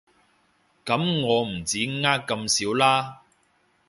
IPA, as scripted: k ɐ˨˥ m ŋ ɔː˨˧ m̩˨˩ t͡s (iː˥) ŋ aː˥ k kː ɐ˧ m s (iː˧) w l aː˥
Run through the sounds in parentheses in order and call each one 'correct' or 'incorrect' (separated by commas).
incorrect, incorrect